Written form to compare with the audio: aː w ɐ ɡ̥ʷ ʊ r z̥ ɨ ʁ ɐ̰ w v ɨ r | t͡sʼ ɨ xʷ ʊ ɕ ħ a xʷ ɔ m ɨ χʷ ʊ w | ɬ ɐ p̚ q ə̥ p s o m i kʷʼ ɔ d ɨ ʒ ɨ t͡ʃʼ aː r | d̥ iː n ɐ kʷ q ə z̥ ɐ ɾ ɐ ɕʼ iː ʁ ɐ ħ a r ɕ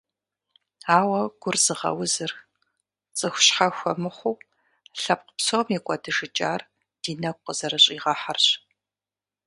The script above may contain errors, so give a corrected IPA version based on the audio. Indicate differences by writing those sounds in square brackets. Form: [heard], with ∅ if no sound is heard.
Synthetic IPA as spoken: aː w ɐ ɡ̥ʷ ʊ r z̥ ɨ ʁ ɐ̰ w [z] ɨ r | t͡sʼ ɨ xʷ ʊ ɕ ħ a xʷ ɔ m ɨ χʷ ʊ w | ɬ ɐ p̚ q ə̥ p s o m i kʷʼ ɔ d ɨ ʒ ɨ t͡ʃʼ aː r | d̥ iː n ɐ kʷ q ə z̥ ɐ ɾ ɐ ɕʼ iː ʁ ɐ ħ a r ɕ